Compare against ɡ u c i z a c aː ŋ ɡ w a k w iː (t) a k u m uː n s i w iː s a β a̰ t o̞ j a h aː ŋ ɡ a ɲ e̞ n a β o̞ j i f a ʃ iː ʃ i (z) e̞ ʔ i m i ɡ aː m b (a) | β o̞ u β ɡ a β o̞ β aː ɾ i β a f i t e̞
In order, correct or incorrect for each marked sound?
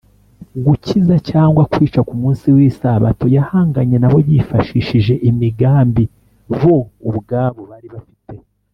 incorrect: t͡ʃ, incorrect: ʒ, incorrect: i

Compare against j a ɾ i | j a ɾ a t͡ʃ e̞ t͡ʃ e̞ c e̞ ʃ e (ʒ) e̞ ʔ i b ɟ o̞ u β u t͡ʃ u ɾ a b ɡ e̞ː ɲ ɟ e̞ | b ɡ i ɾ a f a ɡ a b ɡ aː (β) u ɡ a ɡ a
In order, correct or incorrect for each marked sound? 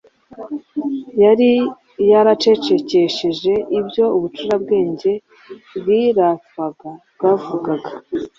correct, incorrect: v

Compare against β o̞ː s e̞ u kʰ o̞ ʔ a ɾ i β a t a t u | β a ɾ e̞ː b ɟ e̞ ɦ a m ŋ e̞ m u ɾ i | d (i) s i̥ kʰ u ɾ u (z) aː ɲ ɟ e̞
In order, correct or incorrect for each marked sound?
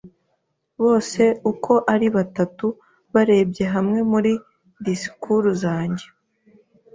correct, correct

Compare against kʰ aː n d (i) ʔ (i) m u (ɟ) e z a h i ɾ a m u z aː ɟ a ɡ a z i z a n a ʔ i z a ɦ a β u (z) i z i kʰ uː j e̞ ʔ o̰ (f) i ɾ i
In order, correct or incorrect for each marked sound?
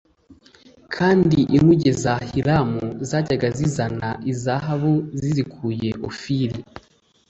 correct, correct, correct, correct, correct

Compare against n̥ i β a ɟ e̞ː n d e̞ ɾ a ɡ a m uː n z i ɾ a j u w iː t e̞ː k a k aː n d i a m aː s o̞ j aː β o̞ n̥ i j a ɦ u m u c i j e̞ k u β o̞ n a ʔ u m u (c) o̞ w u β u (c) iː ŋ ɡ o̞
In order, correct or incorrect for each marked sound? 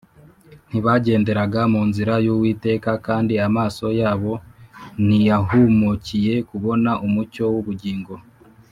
correct, incorrect: ɟ

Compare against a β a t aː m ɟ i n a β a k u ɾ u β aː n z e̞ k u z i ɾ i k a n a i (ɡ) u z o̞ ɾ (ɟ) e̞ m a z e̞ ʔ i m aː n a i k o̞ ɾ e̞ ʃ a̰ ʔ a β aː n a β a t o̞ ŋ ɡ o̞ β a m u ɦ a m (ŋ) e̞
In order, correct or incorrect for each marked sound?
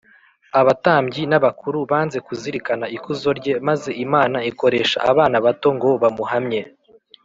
incorrect: k, correct, incorrect: ɲ

